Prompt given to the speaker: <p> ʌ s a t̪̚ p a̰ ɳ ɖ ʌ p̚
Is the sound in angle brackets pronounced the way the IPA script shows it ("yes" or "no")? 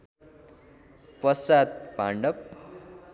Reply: yes